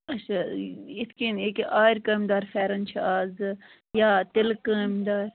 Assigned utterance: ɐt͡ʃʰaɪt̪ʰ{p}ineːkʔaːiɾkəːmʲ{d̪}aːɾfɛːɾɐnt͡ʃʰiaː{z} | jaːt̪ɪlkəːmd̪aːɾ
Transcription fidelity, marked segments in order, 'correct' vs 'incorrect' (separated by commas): incorrect, correct, correct